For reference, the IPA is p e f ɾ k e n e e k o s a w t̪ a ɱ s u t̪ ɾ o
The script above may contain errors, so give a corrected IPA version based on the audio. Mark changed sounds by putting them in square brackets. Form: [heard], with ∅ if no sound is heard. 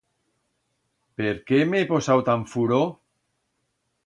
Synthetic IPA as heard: p e [∅] ɾ k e [m] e e [p] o s a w t̪ a ɱ [f] u [∅] ɾ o